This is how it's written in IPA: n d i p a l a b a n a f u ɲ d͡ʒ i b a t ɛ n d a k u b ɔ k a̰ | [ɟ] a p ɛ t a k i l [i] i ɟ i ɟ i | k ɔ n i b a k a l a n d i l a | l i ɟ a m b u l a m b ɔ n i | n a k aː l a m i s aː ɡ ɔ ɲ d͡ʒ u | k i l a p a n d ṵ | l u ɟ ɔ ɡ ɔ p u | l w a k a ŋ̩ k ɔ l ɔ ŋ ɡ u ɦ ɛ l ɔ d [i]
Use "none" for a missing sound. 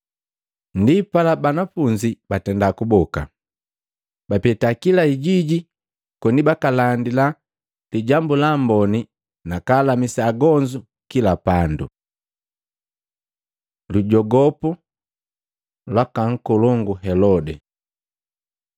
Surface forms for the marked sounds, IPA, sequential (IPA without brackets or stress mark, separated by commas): b, a, ɛ